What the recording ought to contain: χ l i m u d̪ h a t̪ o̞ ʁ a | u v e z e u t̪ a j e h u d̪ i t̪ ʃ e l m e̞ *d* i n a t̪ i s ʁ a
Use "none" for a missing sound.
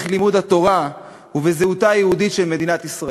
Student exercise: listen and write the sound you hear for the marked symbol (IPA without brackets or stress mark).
d